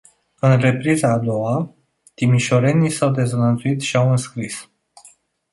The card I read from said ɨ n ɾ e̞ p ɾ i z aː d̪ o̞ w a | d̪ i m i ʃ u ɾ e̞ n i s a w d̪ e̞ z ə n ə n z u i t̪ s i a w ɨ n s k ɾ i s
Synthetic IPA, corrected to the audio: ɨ n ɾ e̞ p ɾ i z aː d̪ o̞ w a | t̪ i m i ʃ o ɾ e̞ n i s a w d̪ e̞ z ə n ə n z u i t̪ ʃ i a w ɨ n s k ɾ i s